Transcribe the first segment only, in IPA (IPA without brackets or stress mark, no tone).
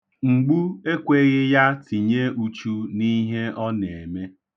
ŋ͡m̩